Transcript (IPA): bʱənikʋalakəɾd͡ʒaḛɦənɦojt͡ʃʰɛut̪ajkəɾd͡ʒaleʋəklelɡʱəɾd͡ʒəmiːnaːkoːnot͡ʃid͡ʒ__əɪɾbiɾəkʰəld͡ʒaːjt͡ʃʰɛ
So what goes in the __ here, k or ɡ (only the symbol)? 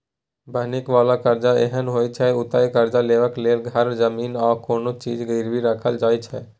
ɡ